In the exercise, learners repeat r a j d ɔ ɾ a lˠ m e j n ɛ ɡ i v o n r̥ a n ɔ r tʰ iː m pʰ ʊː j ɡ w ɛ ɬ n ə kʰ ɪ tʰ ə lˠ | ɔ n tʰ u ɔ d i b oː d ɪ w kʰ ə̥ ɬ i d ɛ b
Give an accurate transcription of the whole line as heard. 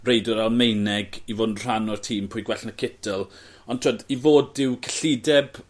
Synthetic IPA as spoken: r e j d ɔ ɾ a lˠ m e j n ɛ ɡ i v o n r̥ a n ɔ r tʰ iː m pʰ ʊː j ɡ w ɛ ɬ n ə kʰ ɪ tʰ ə lˠ | ɔ n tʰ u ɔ d i v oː d ɪ w kʰ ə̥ ɬ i d ɛ b